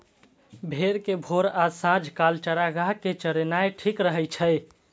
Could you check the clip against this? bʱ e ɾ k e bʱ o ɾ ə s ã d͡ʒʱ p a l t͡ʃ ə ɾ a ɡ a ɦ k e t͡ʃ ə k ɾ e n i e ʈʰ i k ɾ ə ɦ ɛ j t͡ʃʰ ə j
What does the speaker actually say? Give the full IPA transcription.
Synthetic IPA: bʱ e ɾ k e bʱ o ɾ a s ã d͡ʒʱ k a l t͡ʃ ə ɾ a ɡ a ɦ k e t͡ʃ ə ɾ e n a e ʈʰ i k ɾ ə ɦ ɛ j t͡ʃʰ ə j